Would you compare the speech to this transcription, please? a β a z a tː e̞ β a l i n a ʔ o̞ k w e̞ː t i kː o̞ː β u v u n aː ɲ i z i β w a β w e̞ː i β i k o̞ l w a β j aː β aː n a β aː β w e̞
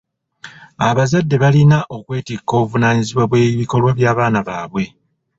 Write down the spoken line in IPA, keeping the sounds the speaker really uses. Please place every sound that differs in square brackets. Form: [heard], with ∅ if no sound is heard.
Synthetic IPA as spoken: a β a z a [dː] e̞ β a l i n a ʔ o̞ k w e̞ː t i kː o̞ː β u v u n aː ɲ i z i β w a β w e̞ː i β i k o̞ l w a β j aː β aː n a β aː β w e̞

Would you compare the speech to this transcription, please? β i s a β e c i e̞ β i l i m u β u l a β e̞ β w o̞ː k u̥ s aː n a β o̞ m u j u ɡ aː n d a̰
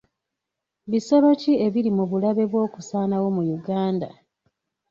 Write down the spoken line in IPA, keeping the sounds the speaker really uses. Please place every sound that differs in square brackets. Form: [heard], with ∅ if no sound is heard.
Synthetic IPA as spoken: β i s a β [a] c i e̞ β i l i m u β u l a β e̞ β w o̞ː k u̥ s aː n a [w] o̞ m u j u ɡ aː n d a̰

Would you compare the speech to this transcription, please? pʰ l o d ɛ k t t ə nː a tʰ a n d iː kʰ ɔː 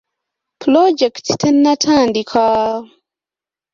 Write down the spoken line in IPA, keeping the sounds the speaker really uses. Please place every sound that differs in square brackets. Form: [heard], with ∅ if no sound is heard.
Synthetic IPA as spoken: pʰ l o [d͡ʒ] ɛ k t t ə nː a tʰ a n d [i] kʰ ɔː

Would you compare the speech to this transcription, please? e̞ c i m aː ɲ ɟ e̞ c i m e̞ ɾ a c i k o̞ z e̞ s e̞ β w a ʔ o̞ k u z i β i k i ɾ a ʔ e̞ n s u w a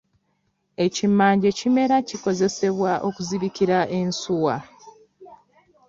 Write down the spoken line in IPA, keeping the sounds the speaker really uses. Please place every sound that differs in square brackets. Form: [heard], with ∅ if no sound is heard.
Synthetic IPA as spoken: e̞ c i m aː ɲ ɟ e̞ c i m e̞ ɾ a c i k o̞ z e̞ s e̞ β w a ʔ o̞ k u z i β i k i ɾ a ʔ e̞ n s u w a

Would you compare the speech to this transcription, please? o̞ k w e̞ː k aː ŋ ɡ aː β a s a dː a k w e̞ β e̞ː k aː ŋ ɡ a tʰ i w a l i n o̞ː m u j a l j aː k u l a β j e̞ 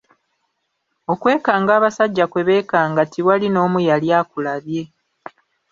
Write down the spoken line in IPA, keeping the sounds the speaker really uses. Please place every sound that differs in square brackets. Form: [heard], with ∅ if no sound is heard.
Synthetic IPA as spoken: o̞ k w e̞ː k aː ŋ ɡ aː β a s a [ɟː] a k w e̞ β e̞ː k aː ŋ ɡ a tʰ i w a l i n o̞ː m u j a l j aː k u l a β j e̞

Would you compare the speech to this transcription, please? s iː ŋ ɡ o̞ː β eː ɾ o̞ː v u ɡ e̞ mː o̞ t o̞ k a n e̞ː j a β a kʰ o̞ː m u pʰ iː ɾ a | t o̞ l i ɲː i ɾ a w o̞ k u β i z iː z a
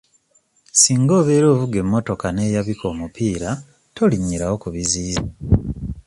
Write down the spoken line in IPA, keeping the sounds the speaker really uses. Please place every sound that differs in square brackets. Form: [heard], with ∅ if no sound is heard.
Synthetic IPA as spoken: s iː ŋ ɡ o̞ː β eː ɾ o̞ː v u ɡ e̞ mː o̞ t o̞ k a n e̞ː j a β [i] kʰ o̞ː m u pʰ iː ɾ a | t o̞ l i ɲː i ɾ a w o̞ k u β i z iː z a

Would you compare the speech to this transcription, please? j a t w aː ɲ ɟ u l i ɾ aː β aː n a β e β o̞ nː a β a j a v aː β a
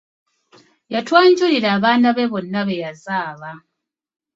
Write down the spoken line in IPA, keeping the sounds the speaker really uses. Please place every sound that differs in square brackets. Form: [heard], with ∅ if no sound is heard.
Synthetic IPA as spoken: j a t w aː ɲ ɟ u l i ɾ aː β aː n a β e β o̞ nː a β [e] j a [z] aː β a

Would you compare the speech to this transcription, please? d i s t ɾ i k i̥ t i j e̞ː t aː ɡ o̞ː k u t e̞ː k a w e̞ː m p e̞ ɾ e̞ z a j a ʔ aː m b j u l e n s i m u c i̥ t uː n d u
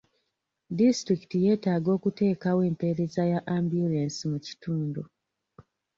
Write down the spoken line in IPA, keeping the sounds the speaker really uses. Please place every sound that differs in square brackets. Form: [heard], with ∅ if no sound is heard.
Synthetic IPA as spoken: d i s t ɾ i k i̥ t i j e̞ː t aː ɡ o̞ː k u t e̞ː k a w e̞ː m p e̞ ɾ e̞ z a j a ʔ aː m b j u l e n s i m u c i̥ t uː n d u

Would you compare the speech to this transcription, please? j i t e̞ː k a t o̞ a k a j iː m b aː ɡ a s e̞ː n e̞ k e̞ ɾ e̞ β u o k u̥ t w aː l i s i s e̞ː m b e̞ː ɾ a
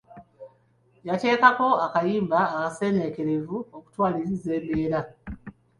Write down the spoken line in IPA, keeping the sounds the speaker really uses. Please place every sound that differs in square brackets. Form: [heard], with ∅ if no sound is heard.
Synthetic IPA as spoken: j [a] t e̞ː k a [k] o̞ a k a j iː m b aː [k] a s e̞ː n e̞ k e̞ ɾ e̞ [v] u o k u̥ t w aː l i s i [z] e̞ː m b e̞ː ɾ a

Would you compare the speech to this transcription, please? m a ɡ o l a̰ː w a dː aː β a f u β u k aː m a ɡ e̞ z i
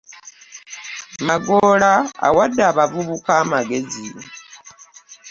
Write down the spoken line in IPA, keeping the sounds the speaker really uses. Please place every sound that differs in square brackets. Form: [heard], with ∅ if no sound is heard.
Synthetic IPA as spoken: m a ɡ o l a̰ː w a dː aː β a [v] u β u k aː m a ɡ e̞ z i

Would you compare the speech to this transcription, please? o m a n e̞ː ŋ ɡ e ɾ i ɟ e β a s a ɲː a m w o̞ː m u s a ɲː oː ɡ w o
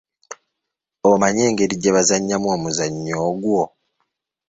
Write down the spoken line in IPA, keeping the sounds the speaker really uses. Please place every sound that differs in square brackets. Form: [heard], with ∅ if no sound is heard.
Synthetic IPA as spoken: o m a [ɲ] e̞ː ŋ ɡ e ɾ i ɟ e β a [z] a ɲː a m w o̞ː m u [z] a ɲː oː ɡ w o

